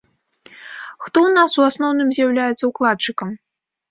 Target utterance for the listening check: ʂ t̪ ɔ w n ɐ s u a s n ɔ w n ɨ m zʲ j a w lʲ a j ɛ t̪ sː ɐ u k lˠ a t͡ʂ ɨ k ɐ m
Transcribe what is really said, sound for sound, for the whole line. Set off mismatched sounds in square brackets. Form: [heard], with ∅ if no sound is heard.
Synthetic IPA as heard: [x] t̪ ɔ w n [a] s u a s n ɔ w n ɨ m zʲ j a w lʲ a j ɛ t̪ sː ɐ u k lˠ a t͡ʂ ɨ k ɐ m